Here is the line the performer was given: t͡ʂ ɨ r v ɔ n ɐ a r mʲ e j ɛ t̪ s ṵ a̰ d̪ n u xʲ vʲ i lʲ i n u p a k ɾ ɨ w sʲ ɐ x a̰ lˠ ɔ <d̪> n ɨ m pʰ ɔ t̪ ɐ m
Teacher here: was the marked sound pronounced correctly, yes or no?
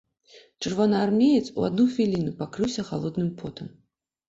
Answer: yes